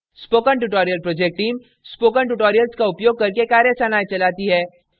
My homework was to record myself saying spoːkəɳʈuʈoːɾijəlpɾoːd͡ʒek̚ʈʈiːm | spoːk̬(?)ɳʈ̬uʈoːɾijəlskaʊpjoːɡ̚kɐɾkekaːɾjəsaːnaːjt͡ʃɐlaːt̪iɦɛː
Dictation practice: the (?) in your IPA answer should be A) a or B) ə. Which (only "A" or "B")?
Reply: B